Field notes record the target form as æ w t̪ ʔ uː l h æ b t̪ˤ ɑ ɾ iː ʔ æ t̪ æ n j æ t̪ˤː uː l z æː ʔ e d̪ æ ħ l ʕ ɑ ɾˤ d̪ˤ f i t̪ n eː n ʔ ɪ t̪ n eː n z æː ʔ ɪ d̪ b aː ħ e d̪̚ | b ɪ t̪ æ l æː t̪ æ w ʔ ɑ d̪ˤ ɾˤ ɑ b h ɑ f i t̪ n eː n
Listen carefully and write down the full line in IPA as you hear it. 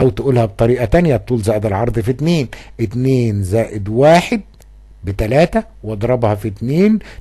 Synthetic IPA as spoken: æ w t̪ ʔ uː l h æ b t̪ˤ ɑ ɾ iː ʔ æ t̪ æ n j æ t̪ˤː uː l z æː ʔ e d̪ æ l ʕ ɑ ɾˤ d̪ˤ f i t̪ n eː n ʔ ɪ t̪ n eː n z æː ʔ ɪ d̪ w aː ħ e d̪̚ | b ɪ t̪ æ l æː t̪ æ w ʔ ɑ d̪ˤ ɾˤ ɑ b h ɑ f i t̪ n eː n